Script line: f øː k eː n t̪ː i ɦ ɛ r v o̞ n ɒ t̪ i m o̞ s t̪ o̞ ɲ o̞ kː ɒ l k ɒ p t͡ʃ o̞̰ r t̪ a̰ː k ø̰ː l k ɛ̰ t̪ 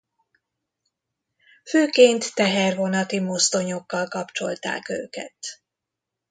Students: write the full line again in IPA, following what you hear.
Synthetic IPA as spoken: f øː k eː n t̪ː ɛ ɦ ɛ r v o̞ n ɒ t̪ i m o̞ s t̪ o̞ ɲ o̞ kː ɒ l k ɒ p t͡ʃ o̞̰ l t̪ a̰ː k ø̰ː k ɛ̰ t̪